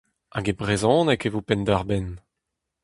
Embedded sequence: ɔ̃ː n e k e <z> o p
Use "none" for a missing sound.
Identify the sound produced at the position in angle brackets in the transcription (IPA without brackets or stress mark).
v